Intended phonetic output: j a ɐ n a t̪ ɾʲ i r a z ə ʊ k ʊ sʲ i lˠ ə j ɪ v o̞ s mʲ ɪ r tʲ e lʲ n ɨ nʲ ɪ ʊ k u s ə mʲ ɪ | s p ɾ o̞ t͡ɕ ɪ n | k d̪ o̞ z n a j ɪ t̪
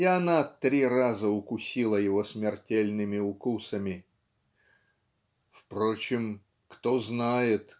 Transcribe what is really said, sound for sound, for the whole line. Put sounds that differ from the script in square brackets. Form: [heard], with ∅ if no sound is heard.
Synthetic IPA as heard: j a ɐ n a t̪ ɾʲ i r a z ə ʊ k ʊ sʲ i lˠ ə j ɪ v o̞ s mʲ ɪ r tʲ e lʲ n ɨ [mʲ] ɪ ʊ k u s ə mʲ ɪ | [f] p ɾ o̞ t͡ɕ ɪ [m] | k [t̪] o̞ z n a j ɪ t̪